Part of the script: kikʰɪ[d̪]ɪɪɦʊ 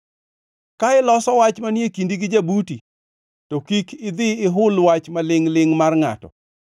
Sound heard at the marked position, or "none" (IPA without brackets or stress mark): d̪